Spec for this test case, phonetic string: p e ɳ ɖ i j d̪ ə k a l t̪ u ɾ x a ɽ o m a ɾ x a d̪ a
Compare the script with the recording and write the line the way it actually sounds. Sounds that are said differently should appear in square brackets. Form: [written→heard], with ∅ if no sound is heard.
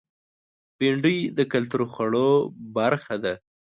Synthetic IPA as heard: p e ɳ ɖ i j d̪ ə k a l t̪ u ɾ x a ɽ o [m→b] a ɾ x a d̪ a